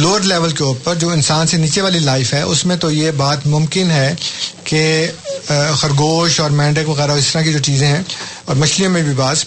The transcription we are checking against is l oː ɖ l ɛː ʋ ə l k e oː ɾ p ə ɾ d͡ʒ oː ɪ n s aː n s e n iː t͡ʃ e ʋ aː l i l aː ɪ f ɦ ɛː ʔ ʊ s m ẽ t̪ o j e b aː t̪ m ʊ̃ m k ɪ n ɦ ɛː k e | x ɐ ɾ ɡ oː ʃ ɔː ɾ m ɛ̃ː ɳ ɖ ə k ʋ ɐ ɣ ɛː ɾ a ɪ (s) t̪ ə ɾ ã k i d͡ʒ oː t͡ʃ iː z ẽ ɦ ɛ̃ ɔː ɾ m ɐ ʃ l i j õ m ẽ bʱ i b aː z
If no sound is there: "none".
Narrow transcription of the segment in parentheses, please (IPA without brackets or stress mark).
s